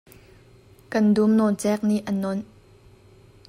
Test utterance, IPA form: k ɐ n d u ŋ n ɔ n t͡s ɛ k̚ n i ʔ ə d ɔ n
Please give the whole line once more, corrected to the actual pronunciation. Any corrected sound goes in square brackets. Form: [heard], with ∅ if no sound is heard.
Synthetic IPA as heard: k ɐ n d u [m] n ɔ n t͡s ɛ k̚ n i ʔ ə [n] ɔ n